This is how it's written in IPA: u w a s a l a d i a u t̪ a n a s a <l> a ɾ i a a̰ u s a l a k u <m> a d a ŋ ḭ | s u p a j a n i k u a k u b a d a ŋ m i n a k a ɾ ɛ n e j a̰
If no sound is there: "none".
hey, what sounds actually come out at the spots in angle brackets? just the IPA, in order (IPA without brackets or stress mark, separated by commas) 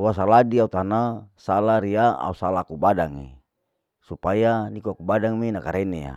l, b